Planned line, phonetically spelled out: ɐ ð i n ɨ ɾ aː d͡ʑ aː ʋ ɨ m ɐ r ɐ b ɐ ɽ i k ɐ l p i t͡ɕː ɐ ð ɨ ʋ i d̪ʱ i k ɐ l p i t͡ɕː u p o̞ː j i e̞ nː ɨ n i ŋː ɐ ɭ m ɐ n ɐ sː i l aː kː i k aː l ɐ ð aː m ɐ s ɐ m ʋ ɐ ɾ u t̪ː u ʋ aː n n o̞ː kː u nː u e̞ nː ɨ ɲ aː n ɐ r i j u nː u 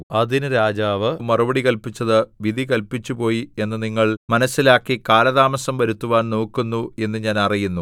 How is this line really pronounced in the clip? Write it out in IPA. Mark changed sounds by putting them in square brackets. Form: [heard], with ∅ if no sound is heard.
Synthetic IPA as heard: ɐ ð i n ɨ ɾ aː d͡ʑ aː ʋ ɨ m ɐ r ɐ b ɐ ɽ i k ɐ l p i t͡ɕː ɐ ð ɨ ʋ i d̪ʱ i k ɐ l p i t͡ɕː u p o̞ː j i e̞ nː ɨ n i ŋː ɐ ɭ m ɐ n ɐ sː i l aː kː i k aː l ɐ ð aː m ɐ s ɐ m ʋ ɐ ɾ u t̪ː u ʋ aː n n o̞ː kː u nː u e̞ nː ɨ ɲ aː n ɐ r i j u nː u